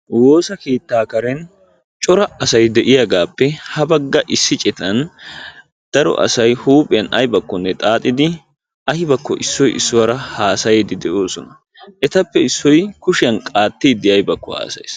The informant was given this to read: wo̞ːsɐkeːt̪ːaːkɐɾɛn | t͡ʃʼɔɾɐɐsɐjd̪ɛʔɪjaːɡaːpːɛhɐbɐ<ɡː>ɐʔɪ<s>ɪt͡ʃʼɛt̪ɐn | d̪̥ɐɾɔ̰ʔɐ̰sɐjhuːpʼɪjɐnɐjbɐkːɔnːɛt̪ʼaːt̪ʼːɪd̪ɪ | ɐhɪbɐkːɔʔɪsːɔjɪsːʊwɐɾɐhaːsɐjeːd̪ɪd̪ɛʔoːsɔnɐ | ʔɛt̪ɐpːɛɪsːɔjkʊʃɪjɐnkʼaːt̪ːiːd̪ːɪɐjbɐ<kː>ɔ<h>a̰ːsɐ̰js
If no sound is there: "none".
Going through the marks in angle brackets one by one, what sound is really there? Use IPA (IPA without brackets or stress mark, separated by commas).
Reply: ɡː, sː, kː, h